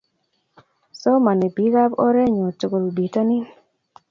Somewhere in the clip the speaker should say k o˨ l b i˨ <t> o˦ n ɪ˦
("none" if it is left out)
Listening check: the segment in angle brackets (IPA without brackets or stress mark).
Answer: t